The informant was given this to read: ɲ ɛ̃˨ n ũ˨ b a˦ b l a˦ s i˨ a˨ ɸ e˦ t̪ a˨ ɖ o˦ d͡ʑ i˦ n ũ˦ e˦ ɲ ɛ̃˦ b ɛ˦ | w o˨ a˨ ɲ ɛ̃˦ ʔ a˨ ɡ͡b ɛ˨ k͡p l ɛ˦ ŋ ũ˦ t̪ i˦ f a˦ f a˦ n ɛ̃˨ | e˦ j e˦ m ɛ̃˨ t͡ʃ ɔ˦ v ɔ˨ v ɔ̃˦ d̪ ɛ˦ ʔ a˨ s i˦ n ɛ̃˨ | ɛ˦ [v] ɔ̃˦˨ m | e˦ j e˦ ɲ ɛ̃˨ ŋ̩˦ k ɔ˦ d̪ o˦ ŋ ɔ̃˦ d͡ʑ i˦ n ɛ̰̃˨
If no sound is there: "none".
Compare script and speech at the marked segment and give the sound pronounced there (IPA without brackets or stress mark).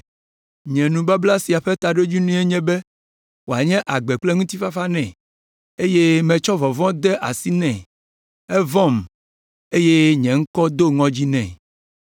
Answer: v